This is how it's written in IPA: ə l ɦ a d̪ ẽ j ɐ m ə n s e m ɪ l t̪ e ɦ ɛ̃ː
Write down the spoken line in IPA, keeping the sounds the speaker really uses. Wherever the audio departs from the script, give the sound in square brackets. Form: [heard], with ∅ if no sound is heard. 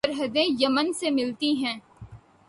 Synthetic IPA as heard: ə [ɾ] ɦ [ə] d̪ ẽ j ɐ m ə n s e m ɪ l t̪ [i] ɦ ɛ̃ː

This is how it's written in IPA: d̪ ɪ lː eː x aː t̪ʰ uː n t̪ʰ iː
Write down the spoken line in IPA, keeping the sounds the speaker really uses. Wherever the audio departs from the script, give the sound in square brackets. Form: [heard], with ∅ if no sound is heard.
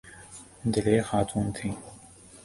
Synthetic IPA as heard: d̪ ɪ [l] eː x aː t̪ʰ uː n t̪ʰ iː

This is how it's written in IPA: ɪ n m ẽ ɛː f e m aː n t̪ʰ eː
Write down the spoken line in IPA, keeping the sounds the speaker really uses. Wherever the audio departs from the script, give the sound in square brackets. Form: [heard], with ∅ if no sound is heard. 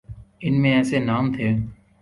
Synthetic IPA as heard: ɪ n m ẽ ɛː [s] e [n] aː [m] t̪ʰ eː

